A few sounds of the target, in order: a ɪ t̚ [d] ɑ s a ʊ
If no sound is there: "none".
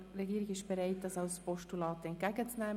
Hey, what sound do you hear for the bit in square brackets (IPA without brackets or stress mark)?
d